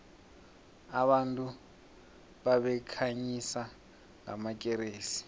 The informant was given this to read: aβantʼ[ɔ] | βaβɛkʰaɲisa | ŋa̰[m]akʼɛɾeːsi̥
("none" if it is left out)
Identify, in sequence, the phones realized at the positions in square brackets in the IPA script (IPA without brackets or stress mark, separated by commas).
u, m